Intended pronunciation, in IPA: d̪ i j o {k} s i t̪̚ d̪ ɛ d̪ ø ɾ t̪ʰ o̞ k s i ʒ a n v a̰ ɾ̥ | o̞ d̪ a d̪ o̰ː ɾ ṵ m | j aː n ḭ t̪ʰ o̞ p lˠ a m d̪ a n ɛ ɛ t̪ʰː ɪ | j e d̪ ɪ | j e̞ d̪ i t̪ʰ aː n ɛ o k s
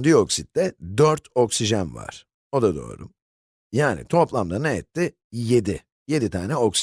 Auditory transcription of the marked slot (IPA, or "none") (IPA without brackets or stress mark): k